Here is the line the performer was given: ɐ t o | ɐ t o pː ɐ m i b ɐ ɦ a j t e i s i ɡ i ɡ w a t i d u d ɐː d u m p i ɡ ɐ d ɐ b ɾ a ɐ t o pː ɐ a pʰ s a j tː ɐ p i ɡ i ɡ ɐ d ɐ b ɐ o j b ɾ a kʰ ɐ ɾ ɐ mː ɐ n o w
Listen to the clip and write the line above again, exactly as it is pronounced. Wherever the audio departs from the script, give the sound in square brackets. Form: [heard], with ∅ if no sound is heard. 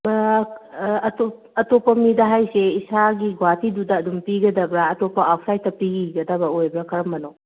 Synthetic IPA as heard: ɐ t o | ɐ t o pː ɐ m i [d] ɐ ɦ a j [s] e i s [a] ɡ i ɡ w a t i d u d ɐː d u m p i ɡ ɐ d ɐ b ɾ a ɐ t o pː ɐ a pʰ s a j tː ɐ p i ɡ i ɡ ɐ d ɐ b ɐ o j b ɾ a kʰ ɐ ɾ ɐ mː ɐ n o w